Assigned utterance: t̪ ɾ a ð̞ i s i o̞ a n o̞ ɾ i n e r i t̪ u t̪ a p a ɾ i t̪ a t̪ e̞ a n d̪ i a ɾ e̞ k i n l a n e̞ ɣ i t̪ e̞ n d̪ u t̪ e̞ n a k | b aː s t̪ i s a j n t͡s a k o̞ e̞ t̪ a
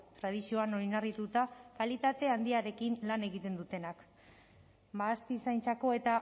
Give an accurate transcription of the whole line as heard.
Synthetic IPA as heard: t̪ ɾ a ð̞ i s i o̞ a n o̞ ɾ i n a r i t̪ u t̪ a k a l i t̪ a t̪ e̞ a n d̪ i a ɾ e̞ k i n l a n e̞ ɣ i t̪ e̞ n d̪ u t̪ e̞ n a k | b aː s t̪ i s a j n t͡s a k o̞ e̞ t̪ a